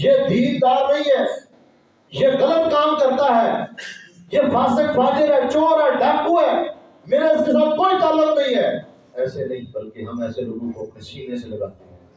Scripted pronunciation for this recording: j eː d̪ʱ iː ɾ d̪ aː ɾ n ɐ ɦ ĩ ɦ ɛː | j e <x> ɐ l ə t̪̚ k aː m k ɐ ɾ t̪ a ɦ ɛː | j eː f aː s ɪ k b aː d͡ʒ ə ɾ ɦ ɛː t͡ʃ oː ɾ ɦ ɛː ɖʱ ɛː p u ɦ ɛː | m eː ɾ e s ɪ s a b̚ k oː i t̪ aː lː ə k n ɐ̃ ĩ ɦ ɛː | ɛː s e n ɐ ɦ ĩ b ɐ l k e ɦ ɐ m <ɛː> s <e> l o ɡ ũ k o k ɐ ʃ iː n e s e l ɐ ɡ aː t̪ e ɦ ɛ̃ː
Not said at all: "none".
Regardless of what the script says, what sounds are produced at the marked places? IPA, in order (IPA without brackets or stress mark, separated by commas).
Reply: ɣ, ɛː, e